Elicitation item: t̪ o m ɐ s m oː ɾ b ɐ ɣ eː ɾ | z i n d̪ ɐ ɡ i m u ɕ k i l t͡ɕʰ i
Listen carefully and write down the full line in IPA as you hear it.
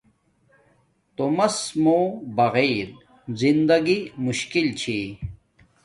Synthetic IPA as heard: t̪ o m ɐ s m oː b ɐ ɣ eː ɾ | z i n d̪ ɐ ɡ i m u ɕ k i l t͡ɕʰ i